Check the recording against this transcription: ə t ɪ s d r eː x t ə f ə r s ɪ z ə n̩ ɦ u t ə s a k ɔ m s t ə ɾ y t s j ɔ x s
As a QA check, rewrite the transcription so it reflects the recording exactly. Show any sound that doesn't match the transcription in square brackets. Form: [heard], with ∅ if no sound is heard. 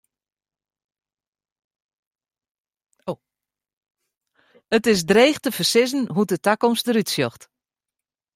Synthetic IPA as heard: ə t ɪ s d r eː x t ə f ə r s ɪ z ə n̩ ɦ u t ə [t] a k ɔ m s t ə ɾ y t s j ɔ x [t]